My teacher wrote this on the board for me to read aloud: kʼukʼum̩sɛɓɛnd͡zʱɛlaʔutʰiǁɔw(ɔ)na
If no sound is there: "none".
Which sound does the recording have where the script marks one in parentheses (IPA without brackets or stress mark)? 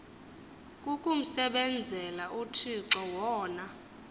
ɔː